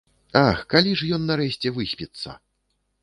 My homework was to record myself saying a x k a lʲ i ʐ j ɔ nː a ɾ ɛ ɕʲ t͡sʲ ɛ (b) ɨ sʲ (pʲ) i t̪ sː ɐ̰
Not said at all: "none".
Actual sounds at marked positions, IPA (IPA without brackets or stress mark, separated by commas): v, pʲ